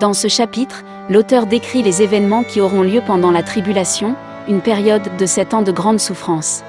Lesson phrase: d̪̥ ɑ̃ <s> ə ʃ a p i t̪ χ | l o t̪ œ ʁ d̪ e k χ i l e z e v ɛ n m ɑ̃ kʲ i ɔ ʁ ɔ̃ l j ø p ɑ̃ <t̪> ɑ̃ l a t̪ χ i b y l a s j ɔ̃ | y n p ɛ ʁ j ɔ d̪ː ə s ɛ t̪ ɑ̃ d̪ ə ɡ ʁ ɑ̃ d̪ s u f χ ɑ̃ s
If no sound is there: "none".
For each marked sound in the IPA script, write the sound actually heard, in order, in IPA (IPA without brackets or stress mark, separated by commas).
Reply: s, d̪